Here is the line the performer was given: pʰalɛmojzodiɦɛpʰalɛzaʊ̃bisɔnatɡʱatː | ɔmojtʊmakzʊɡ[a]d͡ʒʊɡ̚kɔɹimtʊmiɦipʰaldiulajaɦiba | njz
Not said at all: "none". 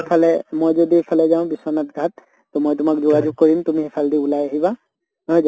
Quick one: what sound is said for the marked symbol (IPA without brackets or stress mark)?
a